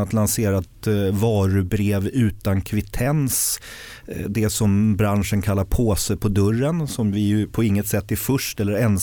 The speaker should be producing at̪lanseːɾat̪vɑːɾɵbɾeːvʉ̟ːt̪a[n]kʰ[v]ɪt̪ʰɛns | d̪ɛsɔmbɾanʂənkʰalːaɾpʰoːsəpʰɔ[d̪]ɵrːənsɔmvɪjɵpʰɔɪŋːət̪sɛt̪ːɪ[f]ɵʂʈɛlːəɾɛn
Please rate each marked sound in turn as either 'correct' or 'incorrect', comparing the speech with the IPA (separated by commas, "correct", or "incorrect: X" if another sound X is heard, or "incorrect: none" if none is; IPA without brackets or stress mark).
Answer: correct, correct, correct, correct